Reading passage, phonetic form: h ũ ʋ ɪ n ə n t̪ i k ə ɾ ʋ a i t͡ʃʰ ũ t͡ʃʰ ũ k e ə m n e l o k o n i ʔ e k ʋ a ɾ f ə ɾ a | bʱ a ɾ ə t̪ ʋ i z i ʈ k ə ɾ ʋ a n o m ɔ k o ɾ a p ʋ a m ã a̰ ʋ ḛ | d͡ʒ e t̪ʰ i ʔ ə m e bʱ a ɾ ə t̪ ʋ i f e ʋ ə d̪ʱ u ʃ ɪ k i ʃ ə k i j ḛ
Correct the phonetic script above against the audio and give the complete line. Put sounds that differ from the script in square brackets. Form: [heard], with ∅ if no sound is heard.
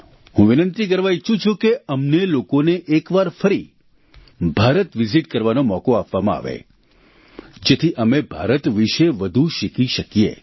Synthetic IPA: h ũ ʋ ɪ n ə n t̪ i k ə ɾ ʋ a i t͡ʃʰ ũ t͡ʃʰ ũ k e ə m n e l o k o n [e] ʔ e k ʋ a ɾ f ə ɾ [i] | bʱ a ɾ ə t̪ ʋ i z i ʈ k ə ɾ ʋ a n o m ɔ k o [∅] a p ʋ a m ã a̰ ʋ ḛ | d͡ʒ e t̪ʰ i ʔ ə m e bʱ a ɾ ə t̪ ʋ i [ʃ] e ʋ ə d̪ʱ u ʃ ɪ k i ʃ ə k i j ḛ